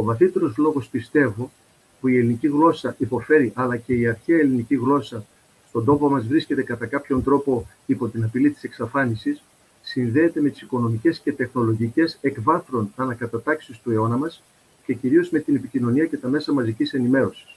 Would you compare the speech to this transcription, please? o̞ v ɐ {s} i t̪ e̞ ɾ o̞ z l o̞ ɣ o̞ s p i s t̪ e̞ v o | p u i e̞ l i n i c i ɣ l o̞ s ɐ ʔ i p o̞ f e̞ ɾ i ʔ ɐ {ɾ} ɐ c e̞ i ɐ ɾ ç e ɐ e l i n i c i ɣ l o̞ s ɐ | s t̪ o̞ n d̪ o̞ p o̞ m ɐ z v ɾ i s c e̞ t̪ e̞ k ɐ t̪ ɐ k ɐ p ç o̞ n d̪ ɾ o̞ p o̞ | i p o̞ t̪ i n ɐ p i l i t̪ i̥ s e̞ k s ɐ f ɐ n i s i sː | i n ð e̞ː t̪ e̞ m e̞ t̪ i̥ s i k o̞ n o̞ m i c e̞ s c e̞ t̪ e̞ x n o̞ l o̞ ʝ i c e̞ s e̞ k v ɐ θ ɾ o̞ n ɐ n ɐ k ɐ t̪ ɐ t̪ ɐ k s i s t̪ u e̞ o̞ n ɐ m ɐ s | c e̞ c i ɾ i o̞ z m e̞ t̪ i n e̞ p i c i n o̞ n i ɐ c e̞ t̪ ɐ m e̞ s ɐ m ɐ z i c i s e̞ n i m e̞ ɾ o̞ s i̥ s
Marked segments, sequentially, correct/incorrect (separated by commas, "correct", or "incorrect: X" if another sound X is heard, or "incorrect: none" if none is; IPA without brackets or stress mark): incorrect: θ, incorrect: l